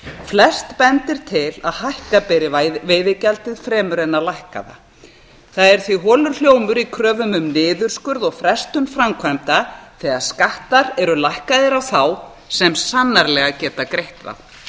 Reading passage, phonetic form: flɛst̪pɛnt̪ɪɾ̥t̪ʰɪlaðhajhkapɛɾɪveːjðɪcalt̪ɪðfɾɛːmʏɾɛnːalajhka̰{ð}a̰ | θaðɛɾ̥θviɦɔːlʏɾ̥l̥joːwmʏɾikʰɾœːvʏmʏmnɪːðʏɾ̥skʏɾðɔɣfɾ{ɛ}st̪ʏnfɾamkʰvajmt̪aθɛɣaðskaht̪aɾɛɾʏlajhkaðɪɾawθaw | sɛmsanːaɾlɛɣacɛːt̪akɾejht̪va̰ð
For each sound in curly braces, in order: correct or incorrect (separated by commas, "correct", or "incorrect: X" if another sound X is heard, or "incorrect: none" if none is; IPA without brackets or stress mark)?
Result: correct, correct